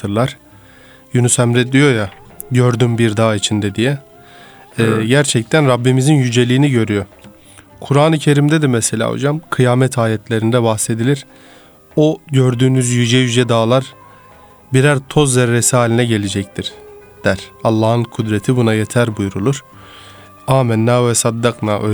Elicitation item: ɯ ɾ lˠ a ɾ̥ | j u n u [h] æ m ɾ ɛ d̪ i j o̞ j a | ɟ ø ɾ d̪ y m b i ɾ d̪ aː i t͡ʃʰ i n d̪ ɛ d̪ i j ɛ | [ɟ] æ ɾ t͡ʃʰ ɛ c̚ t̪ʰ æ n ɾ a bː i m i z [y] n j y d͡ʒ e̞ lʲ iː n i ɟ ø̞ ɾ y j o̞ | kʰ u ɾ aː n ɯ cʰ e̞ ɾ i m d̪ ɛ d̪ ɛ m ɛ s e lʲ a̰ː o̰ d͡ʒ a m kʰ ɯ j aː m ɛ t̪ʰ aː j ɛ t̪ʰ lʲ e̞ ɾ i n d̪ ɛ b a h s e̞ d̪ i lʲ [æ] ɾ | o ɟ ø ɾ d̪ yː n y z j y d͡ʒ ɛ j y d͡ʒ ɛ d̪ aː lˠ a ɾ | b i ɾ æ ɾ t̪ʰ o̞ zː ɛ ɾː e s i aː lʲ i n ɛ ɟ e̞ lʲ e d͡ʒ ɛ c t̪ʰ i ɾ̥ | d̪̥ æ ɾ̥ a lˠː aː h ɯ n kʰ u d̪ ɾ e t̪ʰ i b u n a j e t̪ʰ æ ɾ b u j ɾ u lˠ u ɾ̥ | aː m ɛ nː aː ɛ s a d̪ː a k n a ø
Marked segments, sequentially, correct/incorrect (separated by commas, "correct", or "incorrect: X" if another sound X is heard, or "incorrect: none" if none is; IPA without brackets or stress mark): incorrect: s, correct, incorrect: i, incorrect: i